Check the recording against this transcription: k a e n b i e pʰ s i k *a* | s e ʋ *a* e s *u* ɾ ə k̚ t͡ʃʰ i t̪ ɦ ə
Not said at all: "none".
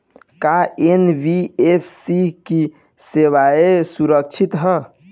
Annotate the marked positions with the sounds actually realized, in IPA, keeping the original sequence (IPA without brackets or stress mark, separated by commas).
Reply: i, a, u